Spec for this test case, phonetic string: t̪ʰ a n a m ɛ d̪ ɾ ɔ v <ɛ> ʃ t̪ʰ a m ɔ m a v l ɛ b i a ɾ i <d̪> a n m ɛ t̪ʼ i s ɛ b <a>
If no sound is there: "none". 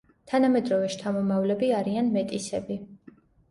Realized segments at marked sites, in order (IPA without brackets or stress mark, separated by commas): ɛ, none, i